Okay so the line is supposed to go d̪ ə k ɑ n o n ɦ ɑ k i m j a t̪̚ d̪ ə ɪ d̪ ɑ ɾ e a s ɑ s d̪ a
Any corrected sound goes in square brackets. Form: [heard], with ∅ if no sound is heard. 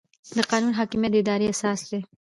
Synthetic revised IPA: d̪ ə [q] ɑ n [u] n ɦ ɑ k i m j a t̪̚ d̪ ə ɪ d̪ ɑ ɾ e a s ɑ s d̪ [e]